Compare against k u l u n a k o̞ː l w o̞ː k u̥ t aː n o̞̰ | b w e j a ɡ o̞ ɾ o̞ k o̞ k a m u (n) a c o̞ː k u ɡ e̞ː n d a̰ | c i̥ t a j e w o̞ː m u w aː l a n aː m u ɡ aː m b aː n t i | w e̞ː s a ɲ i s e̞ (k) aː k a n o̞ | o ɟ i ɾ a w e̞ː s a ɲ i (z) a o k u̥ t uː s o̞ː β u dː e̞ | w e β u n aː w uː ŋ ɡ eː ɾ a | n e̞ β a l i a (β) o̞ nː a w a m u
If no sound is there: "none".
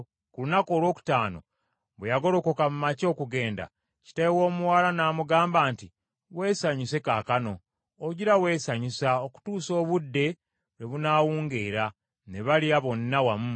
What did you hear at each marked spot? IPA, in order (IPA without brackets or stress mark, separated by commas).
m, k, s, β